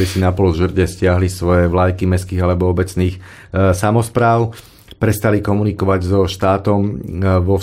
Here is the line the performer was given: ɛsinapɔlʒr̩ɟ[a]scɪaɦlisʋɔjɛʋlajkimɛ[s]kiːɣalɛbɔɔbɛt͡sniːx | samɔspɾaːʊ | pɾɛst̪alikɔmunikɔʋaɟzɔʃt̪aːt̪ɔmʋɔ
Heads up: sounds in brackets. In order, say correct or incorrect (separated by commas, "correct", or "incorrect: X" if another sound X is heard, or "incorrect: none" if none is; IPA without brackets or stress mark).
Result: incorrect: ɛ, correct